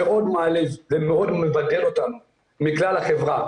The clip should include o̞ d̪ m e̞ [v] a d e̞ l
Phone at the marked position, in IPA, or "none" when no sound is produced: v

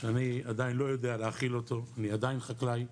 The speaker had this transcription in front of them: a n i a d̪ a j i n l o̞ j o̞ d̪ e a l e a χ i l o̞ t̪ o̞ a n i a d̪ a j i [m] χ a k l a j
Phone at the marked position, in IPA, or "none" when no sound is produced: n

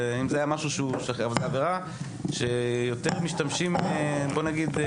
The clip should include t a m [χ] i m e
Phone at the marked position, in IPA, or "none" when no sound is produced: ʃ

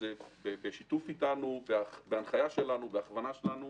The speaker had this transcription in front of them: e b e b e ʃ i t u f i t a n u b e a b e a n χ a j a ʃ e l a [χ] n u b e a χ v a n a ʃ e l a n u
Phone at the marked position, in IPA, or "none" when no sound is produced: none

